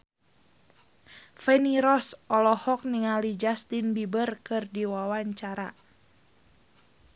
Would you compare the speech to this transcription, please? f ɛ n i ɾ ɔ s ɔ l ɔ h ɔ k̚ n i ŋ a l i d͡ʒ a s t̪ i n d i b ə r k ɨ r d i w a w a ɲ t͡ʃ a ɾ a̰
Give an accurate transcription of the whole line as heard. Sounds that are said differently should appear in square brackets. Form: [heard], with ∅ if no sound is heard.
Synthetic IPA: f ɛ n i ɾ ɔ s ɔ l ɔ h ɔ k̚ n i ŋ a l i d͡ʒ a s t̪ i n [b] i b ə r k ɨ r d i w a w a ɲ t͡ʃ a ɾ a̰